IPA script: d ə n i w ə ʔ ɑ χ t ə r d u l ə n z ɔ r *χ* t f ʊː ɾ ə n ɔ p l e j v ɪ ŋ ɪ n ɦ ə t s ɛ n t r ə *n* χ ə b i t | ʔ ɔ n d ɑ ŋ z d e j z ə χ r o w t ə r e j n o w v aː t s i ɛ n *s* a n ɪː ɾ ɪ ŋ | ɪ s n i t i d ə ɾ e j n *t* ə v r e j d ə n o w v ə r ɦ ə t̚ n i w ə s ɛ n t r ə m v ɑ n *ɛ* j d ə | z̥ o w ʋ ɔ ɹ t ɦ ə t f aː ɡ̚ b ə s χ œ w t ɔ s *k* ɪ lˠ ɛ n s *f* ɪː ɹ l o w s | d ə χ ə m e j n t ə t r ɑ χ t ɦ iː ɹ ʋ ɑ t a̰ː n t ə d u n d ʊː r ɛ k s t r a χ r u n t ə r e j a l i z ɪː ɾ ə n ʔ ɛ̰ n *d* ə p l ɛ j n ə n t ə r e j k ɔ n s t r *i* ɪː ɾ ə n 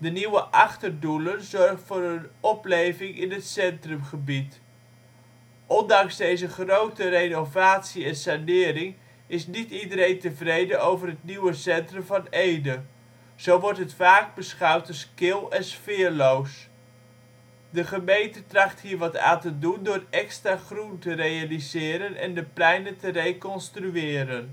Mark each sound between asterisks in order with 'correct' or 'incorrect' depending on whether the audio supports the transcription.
correct, incorrect: m, correct, correct, incorrect: e, correct, correct, correct, incorrect: y

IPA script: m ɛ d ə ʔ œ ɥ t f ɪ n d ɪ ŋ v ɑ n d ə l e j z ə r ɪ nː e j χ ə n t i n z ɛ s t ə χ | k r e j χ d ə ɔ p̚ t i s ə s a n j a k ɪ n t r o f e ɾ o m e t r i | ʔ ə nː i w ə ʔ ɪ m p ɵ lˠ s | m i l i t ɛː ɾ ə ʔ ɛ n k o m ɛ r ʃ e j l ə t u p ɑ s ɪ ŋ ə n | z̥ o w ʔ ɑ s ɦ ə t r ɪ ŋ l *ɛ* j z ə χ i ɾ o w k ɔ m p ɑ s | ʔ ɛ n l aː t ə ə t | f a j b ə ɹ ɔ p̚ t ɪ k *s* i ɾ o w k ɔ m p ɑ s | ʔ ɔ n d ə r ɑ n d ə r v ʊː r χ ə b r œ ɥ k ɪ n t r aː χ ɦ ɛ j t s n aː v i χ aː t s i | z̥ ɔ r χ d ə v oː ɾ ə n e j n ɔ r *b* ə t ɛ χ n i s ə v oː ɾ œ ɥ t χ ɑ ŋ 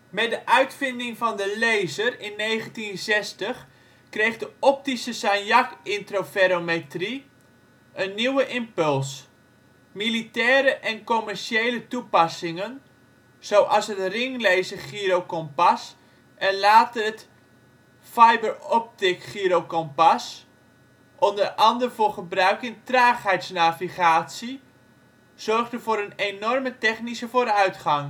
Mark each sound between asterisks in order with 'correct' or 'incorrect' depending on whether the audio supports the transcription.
incorrect: e, incorrect: χ, incorrect: m

